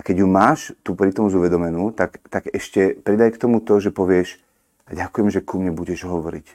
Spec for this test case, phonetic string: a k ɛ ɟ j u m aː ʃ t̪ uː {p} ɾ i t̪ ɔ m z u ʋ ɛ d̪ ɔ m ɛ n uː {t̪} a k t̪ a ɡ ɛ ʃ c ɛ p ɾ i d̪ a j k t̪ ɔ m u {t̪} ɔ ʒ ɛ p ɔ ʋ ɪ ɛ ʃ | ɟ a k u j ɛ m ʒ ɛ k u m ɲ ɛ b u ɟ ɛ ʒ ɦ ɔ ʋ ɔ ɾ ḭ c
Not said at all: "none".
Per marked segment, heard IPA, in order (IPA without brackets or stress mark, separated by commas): p, t̪, t̪